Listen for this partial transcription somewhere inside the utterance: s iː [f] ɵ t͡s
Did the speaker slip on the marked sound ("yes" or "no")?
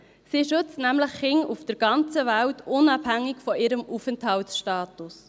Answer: yes